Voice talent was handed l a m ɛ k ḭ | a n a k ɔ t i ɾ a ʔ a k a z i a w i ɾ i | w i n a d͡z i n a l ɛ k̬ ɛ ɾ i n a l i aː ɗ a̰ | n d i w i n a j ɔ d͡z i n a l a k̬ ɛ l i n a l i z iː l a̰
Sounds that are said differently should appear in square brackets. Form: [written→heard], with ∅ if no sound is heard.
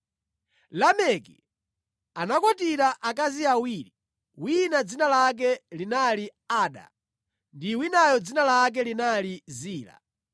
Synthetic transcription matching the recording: l a m ɛ k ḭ | a n a k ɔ t i ɾ a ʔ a k a z i a w i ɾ i | w i n a d͡z i n a l [ɛ→a] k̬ ɛ [ɾ→l] i n a l i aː ɗ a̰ | n d i w i n a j ɔ d͡z i n a l a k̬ ɛ l i n a l i z iː l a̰